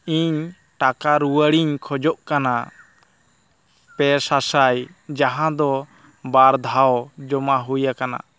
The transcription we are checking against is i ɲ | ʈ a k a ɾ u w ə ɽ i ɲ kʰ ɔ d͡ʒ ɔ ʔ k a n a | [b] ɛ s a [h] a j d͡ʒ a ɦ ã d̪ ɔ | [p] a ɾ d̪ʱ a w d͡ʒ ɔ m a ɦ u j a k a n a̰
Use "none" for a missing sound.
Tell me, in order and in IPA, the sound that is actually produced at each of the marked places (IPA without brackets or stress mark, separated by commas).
p, s, b